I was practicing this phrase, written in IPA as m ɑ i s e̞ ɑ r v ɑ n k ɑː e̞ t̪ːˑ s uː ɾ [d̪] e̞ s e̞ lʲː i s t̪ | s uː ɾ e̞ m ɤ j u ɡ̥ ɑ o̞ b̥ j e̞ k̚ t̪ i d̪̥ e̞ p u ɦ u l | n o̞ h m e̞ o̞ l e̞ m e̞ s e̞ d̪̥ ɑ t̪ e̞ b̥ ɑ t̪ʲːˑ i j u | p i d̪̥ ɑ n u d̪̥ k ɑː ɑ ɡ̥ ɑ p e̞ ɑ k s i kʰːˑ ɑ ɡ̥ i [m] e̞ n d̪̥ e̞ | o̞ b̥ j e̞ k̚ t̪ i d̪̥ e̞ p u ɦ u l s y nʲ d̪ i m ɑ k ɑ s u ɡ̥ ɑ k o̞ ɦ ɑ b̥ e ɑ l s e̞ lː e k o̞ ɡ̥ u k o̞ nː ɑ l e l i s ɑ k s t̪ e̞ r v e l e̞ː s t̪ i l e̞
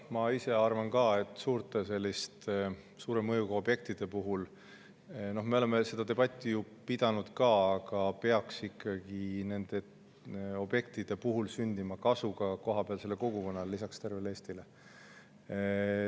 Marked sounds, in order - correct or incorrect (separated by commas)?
incorrect, incorrect